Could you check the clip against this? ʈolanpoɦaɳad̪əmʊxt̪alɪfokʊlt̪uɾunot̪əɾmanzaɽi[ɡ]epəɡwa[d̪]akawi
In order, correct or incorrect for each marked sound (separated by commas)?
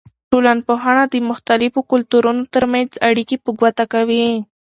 incorrect, incorrect